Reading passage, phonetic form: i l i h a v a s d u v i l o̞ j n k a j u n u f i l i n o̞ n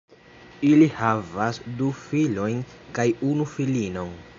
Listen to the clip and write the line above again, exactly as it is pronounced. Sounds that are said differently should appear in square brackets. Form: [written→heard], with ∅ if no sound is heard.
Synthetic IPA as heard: i l i h a v a s d u [v→f] i l o̞ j n k a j u n u f i l i n o̞ n